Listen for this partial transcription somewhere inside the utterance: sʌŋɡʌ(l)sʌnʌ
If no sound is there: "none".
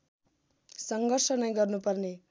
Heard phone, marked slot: r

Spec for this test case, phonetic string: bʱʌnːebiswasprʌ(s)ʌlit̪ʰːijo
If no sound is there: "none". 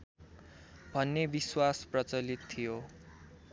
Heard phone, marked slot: t͡s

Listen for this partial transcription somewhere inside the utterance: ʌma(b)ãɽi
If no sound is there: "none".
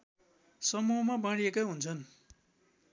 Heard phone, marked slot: b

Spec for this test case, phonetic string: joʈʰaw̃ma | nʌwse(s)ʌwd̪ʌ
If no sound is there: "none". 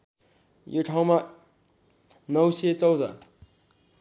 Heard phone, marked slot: t͡s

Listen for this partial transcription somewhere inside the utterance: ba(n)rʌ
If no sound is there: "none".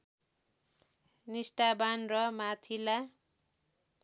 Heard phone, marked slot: n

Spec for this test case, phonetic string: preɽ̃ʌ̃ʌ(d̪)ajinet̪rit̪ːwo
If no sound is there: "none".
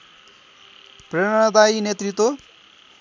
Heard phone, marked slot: d̪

